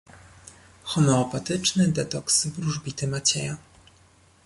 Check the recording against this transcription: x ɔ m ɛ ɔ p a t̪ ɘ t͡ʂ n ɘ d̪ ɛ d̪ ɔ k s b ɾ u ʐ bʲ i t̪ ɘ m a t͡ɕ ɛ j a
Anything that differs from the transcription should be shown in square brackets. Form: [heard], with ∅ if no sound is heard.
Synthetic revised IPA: x ɔ m ɛ ɔ p a t̪ ɘ t͡ʂ n ɘ d̪ ɛ [t̪] ɔ k s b ɾ u ʐ bʲ i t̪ ɘ m a t͡ɕ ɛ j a